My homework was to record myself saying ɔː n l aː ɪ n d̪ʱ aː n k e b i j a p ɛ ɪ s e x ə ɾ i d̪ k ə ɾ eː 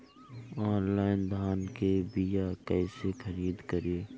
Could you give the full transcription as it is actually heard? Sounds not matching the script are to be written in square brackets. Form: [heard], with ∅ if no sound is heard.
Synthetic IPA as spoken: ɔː n l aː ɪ n d̪ʱ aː n k e b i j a [k] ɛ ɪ s e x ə ɾ [iː] d̪ k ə ɾ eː

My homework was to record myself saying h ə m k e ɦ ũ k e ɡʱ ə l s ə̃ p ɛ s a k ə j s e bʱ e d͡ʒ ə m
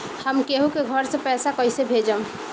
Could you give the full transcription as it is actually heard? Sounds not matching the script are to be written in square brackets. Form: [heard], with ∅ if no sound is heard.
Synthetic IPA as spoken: h ə m k e ɦ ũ k e ɡʱ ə [ɾ] s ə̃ p ɛ s a k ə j s e bʱ e d͡ʒ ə m

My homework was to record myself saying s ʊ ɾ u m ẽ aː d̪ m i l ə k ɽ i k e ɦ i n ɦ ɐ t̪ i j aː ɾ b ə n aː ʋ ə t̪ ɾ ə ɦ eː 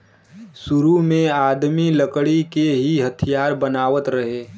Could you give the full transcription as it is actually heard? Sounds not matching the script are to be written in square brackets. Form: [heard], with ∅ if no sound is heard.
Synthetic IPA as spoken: s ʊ ɾ u m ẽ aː d̪ m i l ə k ɽ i k e ɦ i [∅] ɦ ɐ [t̪ʰ] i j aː ɾ b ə n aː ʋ ə t̪ ɾ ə ɦ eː

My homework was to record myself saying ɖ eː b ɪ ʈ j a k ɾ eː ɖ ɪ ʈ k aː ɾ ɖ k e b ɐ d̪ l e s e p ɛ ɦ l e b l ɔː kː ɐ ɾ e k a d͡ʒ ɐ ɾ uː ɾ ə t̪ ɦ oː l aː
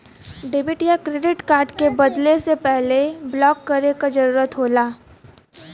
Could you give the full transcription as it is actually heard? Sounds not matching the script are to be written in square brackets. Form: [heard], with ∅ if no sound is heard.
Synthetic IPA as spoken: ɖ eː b ɪ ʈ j a k ɾ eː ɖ ɪ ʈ k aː ɾ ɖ k e b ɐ d̪ l e s e p ɛ ɦ l e b l ɔː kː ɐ ɾ e k a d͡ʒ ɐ ɾ uː ɾ ə t̪ ɦ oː l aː

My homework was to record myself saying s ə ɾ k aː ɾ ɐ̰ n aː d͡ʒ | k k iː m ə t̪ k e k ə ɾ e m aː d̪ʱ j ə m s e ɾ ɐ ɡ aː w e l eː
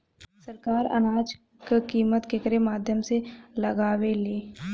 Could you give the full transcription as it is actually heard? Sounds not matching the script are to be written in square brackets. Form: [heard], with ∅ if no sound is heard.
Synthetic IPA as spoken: s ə ɾ k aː ɾ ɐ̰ n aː d͡ʒ | k k iː m ə t̪ k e k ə ɾ e m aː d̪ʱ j ə m s e [l] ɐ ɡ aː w e l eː

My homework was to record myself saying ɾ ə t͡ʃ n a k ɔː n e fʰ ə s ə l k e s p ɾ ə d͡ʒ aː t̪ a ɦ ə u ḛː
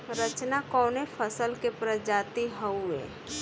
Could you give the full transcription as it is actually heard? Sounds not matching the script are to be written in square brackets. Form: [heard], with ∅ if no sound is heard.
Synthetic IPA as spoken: ɾ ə t͡ʃ n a k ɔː n e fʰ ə s ə l k e [∅] p ɾ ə d͡ʒ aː t̪ [i] ɦ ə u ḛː

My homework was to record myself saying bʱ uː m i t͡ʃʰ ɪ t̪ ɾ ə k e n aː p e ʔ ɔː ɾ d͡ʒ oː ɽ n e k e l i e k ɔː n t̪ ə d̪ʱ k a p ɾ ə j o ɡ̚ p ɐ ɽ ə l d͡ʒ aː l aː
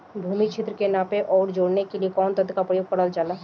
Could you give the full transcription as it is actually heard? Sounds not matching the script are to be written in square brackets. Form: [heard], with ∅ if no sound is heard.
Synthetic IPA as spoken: bʱ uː m i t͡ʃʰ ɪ t̪ ɾ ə k e n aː p e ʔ ɔː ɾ d͡ʒ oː ɽ n e k e l i e k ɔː n t̪ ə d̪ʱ k a p ɾ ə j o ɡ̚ p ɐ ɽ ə l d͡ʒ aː l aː

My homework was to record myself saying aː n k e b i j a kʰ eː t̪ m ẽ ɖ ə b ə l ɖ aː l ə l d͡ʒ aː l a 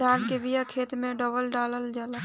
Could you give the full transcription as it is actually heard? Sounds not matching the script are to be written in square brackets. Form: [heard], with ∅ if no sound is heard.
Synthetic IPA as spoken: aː n k e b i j a kʰ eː t̪ m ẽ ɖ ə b ə l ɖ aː l ə l d͡ʒ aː l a

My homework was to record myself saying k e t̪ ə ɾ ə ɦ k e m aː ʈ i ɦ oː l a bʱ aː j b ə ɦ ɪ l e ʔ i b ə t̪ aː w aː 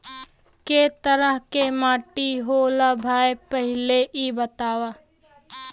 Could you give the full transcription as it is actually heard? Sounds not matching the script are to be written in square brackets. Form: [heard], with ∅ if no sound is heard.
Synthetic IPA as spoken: k e t̪ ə ɾ ə ɦ k e m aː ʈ i ɦ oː l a bʱ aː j [p] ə ɦ ɪ l e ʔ i b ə t̪ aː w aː

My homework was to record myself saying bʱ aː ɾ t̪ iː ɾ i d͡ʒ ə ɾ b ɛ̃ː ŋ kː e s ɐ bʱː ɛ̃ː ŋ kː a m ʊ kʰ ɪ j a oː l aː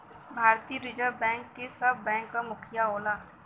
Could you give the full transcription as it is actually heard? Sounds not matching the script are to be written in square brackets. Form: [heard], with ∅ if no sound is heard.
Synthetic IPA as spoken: bʱ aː ɾ t̪ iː ɾ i d͡ʒ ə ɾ b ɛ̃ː ŋ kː e s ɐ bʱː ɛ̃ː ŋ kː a m ʊ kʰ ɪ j a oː l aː

